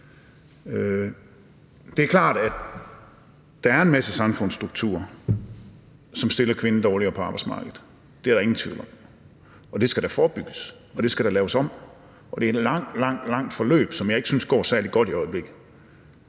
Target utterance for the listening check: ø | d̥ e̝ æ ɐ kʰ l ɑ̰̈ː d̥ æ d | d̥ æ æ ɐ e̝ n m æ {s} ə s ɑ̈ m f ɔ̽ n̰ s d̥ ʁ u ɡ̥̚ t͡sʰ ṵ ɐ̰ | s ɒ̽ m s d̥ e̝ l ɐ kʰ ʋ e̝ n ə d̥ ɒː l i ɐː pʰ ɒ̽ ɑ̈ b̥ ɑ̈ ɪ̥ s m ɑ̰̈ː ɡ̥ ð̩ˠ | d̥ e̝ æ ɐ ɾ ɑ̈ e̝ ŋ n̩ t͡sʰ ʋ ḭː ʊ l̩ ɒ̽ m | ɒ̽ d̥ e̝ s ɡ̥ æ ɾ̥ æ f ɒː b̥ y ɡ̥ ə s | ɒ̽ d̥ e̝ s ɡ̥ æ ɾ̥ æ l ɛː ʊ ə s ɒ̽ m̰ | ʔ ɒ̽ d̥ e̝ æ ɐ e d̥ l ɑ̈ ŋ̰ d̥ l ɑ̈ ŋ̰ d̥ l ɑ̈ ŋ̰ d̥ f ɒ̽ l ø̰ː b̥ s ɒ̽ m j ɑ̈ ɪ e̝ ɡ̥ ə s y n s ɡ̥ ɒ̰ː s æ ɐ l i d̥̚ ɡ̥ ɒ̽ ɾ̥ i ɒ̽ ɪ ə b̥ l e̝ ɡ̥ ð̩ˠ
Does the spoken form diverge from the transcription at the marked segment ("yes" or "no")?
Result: no